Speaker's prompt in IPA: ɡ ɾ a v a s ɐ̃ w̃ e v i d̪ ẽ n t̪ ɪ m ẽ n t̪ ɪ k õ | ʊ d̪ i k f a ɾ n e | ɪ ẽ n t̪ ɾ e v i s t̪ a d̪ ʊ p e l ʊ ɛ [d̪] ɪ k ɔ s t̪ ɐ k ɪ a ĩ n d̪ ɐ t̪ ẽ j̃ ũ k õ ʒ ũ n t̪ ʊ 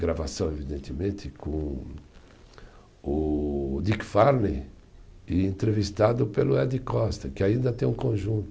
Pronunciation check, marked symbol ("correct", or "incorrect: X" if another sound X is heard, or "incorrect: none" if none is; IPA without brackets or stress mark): correct